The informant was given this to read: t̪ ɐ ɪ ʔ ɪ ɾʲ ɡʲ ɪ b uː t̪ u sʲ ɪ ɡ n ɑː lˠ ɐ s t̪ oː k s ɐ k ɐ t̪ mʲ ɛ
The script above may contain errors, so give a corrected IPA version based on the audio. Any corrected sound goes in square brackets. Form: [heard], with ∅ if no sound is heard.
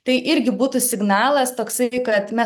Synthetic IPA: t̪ ɐ ɪ ʔ ɪ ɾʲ ɡʲ ɪ b uː t̪ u sʲ ɪ ɡ n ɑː lˠ ɐ s t̪ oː k s ɐ k ɐ t̪ mʲ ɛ

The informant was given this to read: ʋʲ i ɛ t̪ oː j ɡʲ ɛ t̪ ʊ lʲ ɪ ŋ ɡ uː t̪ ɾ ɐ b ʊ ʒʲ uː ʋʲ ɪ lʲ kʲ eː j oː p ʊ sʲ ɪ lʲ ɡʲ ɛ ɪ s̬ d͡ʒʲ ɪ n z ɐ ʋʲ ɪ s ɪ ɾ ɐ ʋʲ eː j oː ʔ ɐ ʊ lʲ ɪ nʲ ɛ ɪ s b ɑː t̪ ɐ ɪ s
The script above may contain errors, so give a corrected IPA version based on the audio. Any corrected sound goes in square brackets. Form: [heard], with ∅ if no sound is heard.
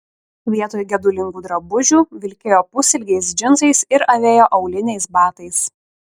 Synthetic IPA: ʋʲ i ɛ t̪ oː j ɡʲ ɛ [d̪] ʊ lʲ ɪ ŋ ɡ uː [d̪] ɾ ɐ b ʊ ʒʲ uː ʋʲ ɪ lʲ kʲ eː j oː p ʊ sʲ ɪ lʲ ɡʲ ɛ ɪ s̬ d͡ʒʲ ɪ n z ɐ [∅] ɪ s ɪ ɾ ɐ ʋʲ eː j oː ʔ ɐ ʊ lʲ ɪ nʲ ɛ ɪ s b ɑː t̪ ɐ ɪ s

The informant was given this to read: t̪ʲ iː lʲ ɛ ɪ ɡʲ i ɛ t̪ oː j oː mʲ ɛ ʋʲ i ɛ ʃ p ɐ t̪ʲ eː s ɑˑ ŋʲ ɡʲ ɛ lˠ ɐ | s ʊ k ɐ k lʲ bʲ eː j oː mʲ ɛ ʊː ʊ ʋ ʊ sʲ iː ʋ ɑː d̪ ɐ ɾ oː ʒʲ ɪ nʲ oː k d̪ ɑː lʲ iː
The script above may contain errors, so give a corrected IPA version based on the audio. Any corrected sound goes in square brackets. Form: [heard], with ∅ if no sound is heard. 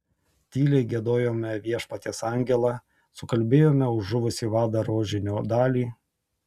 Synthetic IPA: t̪ʲ iː lʲ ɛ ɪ ɡʲ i ɛ [d̪] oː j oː mʲ ɛ ʋʲ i ɛ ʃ p ɐ t̪ʲ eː s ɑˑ ŋʲ ɡʲ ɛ lˠ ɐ | s ʊ k ɐ [∅] lʲ bʲ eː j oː mʲ ɛ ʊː ʊ ʋ ʊ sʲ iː ʋ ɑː d̪ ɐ ɾ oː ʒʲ ɪ nʲ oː [∅] d̪ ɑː lʲ iː

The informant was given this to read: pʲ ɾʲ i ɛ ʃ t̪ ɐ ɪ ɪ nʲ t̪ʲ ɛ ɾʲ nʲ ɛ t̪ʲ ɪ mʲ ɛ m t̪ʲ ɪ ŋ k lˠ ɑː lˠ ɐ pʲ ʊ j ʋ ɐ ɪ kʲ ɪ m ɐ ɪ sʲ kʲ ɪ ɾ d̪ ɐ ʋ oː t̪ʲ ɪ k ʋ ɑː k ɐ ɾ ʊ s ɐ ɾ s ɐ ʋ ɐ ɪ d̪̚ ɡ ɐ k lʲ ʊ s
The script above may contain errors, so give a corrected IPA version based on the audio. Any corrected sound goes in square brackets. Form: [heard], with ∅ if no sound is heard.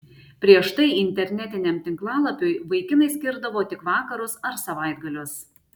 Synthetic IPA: pʲ ɾʲ i ɛ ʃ t̪ ɐ ɪ ɪ nʲ t̪ʲ ɛ ɾʲ nʲ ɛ t̪ʲ ɪ [nʲ] ɛ m t̪ʲ ɪ ŋ k lˠ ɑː lˠ ɐ pʲ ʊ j ʋ ɐ ɪ kʲ ɪ m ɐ ɪ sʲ kʲ ɪ ɾ d̪ ɐ ʋ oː t̪ʲ ɪ k ʋ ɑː k ɐ ɾ ʊ s ɐ ɾ s ɐ ʋ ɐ ɪ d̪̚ ɡ ɐ [∅] lʲ ʊ s

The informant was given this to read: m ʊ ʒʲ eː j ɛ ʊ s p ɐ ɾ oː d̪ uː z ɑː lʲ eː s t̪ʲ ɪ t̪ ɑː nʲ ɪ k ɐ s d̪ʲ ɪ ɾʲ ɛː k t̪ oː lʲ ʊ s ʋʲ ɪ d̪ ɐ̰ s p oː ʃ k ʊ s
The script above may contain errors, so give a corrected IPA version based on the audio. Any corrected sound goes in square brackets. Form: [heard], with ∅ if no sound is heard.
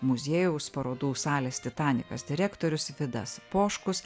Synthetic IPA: m ʊ [zʲ] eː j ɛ ʊ s p ɐ ɾ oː d̪ uː [s] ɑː lʲ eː s t̪ʲ ɪ t̪ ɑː nʲ ɪ k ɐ s d̪ʲ ɪ ɾʲ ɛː k t̪ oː [ɾʲ] ʊ s ʋʲ ɪ d̪ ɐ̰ s p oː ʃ k ʊ s

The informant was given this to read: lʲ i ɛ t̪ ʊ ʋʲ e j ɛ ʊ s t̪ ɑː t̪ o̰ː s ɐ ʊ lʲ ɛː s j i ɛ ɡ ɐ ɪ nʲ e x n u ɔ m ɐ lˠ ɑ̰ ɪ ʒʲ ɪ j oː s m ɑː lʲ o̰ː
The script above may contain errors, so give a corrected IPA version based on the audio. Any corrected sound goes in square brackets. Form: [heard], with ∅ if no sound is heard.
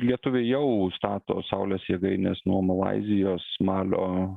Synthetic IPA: lʲ i ɛ t̪ ʊ ʋʲ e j ɛ ʊ s t̪ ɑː t̪ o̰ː s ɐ ʊ lʲ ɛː s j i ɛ ɡ ɐ ɪ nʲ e [s] n u ɔ m ɐ lˠ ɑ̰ ɪ [zʲ] ɪ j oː s m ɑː lʲ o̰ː

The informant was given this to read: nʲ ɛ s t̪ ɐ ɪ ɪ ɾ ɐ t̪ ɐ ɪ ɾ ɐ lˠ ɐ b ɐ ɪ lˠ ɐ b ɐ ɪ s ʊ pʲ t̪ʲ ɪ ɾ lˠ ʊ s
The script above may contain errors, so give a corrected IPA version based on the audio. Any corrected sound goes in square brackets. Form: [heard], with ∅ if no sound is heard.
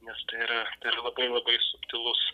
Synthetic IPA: nʲ ɛ s t̪ ɐ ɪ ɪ ɾ ɐ t̪ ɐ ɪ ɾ ɐ lˠ ɐ b ɐ ɪ lˠ ɐ b ɐ ɪ s ʊ pʲ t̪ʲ ɪ [∅] lˠ ʊ s

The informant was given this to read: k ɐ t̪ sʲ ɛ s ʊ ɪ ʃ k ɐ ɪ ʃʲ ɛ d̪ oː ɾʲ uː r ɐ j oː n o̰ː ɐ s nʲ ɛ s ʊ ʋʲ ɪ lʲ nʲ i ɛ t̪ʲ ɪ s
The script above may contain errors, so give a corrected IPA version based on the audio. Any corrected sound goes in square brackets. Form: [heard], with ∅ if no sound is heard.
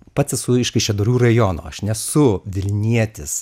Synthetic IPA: [p] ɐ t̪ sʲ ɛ s ʊ ɪ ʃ k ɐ ɪ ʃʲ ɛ d̪ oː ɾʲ uː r ɐ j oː n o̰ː ɐ [ʃ] nʲ ɛ s ʊ ʋʲ ɪ lʲ nʲ i ɛ t̪ʲ ɪ s

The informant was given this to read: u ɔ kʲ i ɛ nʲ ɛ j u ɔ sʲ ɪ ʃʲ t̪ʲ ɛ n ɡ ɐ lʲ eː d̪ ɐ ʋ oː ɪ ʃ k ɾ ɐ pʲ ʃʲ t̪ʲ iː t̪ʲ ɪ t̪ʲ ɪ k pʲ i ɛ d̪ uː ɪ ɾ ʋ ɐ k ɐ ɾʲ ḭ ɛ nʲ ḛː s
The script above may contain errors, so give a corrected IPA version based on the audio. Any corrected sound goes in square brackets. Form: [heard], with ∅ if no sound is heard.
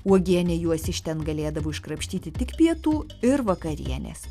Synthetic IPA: u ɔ [ɡʲ] i ɛ nʲ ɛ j u ɔ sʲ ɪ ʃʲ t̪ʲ ɛ n ɡ ɐ lʲ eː d̪ ɐ ʋ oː ɪ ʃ k ɾ ɐ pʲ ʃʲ t̪ʲ iː t̪ʲ ɪ t̪ʲ ɪ k pʲ i ɛ [t̪] uː ɪ ɾ ʋ ɐ k ɐ ɾʲ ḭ ɛ nʲ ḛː s

